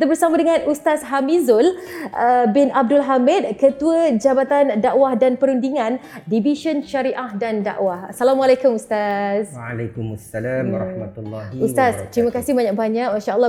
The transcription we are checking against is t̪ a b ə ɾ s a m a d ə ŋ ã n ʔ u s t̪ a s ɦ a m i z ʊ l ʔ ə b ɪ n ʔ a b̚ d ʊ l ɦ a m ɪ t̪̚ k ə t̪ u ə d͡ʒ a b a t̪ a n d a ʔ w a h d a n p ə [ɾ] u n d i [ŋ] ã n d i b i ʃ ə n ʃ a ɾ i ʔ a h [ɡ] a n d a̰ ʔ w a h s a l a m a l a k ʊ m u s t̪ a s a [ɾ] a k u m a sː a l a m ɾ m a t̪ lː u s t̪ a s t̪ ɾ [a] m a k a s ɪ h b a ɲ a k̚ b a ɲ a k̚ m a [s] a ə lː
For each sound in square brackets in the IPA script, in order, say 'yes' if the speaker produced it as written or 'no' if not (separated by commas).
yes, yes, no, no, no, no